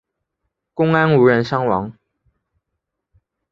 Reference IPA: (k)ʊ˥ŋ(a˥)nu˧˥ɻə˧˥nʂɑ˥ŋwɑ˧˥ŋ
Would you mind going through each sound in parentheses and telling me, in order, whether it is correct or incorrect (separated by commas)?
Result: correct, correct